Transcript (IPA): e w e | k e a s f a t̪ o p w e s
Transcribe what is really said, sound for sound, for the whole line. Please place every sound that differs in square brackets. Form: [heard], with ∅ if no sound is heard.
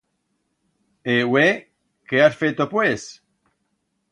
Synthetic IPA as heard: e w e | k e a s f [e] t̪ o p w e s